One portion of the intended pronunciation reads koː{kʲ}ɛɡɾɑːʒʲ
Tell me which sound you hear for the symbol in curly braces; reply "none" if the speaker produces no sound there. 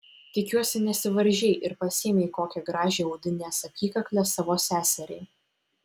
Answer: kʲ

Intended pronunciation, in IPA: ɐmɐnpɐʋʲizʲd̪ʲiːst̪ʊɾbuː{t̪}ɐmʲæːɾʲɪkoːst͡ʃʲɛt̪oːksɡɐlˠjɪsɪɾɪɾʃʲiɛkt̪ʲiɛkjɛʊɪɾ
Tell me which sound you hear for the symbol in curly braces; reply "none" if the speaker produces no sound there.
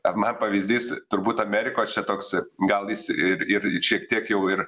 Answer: t̪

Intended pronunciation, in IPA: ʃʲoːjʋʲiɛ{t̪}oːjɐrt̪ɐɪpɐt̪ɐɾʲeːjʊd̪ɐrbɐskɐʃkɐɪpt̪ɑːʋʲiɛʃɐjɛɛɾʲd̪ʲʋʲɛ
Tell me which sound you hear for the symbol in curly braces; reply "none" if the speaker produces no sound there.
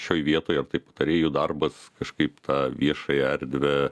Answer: t̪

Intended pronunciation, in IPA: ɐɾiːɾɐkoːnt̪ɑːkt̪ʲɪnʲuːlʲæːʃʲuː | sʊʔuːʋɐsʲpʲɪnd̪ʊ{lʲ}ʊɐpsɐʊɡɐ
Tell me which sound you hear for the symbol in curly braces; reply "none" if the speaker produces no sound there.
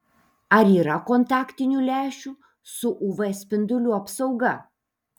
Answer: lʲ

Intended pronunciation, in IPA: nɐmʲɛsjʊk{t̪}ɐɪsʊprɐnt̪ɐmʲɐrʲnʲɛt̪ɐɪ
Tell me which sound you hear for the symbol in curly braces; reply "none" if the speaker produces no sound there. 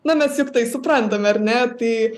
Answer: t̪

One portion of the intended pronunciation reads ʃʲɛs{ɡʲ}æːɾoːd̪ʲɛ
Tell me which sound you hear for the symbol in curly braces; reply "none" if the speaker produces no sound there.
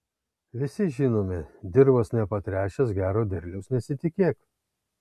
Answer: ɡʲ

